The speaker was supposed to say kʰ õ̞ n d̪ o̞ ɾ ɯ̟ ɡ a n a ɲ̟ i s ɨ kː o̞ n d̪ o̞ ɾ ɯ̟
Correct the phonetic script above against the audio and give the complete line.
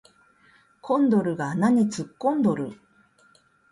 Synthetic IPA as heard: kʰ õ̞ n d̪ o̞ ɾ ɯ̟ ɡ a n a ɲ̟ i t͡s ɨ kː õ̞ n d̪ o̞ ɾ ɯ̟